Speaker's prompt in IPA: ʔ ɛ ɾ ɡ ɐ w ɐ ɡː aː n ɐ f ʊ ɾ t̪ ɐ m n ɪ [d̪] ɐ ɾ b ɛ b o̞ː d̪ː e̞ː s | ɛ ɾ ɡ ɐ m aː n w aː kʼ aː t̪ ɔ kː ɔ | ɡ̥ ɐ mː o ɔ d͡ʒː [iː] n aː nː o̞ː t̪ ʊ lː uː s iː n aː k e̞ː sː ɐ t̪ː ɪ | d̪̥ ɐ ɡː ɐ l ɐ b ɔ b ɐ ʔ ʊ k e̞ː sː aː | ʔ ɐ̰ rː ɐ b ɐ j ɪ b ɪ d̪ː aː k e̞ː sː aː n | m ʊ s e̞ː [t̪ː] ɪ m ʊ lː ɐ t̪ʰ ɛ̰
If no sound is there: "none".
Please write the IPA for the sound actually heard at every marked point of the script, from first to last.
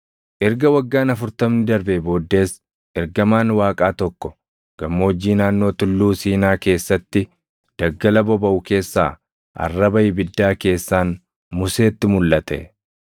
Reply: d̪, iː, t̪ː

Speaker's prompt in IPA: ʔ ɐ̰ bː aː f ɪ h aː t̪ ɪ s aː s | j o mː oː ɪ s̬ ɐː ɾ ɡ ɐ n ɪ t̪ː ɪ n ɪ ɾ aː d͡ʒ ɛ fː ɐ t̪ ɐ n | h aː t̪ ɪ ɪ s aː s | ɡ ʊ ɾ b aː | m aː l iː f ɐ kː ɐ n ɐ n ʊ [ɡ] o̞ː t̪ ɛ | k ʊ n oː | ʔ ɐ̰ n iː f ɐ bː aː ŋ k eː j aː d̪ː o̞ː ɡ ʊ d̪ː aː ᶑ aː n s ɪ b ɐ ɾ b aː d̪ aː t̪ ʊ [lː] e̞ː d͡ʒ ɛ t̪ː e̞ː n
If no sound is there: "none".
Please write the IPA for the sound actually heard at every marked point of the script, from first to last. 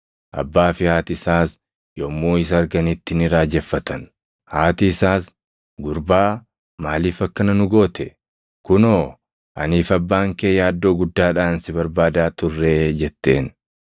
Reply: ɡ, rː

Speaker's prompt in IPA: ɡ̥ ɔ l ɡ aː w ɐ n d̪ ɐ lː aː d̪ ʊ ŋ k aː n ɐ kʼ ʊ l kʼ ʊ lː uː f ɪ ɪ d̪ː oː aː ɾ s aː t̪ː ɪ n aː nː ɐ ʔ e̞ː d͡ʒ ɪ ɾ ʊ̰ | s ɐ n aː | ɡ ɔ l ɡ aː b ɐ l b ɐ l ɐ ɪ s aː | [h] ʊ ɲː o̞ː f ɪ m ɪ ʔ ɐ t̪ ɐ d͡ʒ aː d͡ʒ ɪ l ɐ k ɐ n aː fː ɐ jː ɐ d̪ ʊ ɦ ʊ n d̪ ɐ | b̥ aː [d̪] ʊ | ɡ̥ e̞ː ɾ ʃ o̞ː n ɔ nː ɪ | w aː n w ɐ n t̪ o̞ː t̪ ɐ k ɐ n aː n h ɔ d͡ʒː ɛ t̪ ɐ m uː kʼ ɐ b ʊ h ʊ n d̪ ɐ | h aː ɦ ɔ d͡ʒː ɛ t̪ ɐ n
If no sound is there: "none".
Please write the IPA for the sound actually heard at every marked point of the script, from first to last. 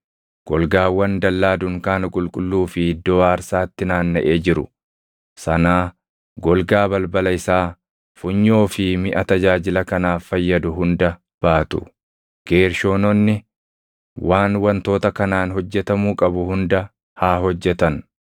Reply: f, t̪

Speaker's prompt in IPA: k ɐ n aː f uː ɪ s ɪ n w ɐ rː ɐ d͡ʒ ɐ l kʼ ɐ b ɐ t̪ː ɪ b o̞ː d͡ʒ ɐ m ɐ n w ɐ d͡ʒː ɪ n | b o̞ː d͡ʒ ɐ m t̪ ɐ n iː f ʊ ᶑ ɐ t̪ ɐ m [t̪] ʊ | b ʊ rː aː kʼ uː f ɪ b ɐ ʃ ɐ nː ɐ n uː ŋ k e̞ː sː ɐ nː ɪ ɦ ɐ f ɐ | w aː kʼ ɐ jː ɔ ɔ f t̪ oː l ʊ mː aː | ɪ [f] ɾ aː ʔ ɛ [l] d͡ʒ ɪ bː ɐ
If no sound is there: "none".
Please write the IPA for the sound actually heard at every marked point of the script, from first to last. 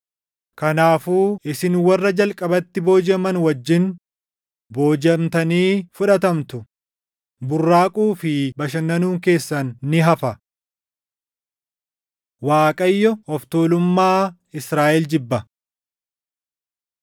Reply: t̪, s, l

